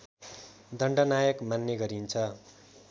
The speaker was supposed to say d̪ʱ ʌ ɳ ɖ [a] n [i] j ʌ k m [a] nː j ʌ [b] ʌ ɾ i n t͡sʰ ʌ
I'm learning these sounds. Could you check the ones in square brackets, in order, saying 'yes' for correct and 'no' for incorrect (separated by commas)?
no, no, yes, no